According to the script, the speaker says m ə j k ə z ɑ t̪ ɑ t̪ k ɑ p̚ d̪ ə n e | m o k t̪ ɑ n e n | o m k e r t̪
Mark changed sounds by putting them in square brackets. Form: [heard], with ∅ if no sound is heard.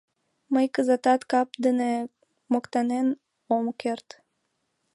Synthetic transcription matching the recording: m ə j k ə z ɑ t̪ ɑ t̪ k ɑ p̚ d̪ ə n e | m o k t̪ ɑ n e n | o m k e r t̪